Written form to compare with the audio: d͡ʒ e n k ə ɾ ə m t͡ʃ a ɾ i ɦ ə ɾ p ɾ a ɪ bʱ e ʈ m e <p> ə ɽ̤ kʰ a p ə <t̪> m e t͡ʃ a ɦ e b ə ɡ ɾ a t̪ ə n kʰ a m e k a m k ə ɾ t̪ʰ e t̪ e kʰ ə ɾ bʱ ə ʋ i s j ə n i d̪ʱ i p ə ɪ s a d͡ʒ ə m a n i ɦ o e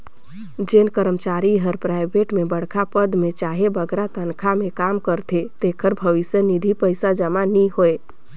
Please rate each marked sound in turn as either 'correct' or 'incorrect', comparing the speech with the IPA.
incorrect: b, incorrect: d̪

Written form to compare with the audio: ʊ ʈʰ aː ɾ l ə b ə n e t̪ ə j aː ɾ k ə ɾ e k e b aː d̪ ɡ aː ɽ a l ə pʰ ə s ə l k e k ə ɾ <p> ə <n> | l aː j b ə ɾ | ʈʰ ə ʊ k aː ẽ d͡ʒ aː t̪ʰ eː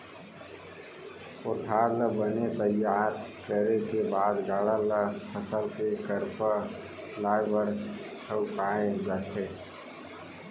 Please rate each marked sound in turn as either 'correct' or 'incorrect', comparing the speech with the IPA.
correct, incorrect: none

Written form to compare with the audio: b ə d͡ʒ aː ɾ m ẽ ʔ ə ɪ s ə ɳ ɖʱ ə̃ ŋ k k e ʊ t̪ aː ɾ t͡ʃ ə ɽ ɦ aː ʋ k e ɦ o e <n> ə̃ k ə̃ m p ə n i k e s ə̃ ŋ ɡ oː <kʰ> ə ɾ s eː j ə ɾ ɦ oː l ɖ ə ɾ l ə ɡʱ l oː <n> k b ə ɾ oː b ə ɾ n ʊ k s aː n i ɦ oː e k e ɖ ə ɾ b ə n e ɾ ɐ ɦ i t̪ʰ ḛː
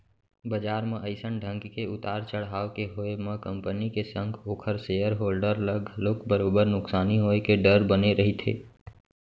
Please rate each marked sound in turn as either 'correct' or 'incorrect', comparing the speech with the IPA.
incorrect: m, correct, incorrect: none

